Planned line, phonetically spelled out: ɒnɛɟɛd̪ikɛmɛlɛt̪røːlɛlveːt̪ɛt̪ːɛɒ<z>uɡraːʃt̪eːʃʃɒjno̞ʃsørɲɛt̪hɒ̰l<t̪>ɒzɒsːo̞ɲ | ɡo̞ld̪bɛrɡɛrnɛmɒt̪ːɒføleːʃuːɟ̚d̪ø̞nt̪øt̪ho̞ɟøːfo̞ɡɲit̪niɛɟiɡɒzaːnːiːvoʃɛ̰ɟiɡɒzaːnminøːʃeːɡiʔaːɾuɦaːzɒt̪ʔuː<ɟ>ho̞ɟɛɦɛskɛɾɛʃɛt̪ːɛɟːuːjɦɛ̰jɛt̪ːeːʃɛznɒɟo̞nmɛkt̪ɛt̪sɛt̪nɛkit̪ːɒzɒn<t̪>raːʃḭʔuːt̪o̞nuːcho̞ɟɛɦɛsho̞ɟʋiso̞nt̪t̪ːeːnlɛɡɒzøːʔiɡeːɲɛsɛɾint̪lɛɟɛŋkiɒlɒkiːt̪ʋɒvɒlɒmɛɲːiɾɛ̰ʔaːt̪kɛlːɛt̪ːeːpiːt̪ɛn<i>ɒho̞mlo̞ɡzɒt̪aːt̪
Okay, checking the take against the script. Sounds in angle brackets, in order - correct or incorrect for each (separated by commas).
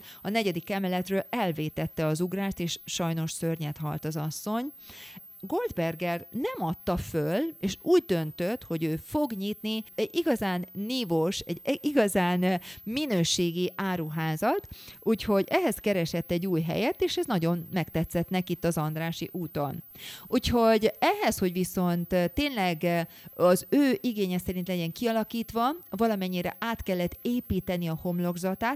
correct, correct, incorrect, incorrect, correct